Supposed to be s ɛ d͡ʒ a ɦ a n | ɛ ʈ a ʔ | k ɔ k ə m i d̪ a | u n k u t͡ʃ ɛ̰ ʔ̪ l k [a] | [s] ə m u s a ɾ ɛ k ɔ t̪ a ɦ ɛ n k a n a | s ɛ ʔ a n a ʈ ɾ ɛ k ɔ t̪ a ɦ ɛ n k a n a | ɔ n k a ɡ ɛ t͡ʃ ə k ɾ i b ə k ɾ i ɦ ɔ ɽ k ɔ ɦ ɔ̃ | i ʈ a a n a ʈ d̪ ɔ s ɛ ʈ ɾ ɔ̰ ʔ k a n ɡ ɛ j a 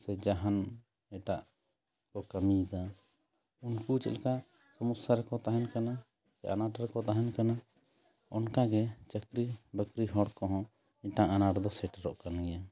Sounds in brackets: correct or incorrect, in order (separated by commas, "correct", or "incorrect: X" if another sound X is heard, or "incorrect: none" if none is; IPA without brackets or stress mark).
correct, correct